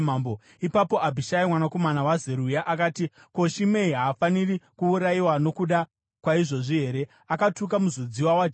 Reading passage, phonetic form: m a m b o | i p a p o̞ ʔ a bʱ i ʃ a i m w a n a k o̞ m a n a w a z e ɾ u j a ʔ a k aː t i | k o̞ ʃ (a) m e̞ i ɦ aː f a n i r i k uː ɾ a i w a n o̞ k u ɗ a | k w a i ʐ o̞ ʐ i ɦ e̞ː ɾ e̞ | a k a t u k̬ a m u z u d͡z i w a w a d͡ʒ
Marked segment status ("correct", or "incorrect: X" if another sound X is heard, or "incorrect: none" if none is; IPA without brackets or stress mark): incorrect: i